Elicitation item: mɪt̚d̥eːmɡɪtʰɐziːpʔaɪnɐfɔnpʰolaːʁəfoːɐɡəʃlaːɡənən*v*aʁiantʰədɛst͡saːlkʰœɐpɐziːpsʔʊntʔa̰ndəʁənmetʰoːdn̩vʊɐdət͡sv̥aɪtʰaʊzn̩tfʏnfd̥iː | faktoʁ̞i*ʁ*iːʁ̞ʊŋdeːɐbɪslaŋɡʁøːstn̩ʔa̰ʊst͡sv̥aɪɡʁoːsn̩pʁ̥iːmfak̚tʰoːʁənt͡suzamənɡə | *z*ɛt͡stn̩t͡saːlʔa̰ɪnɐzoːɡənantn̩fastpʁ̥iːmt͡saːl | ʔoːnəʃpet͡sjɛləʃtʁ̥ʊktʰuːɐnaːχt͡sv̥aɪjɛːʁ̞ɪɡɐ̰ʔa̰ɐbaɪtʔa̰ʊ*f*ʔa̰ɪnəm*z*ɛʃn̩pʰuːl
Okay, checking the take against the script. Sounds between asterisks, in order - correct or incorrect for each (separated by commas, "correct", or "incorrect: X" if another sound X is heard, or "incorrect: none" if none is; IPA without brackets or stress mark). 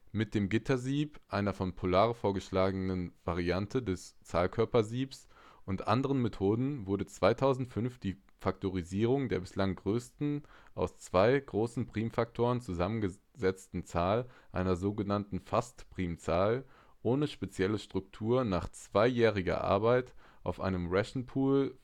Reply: correct, incorrect: z, correct, correct, incorrect: ʁ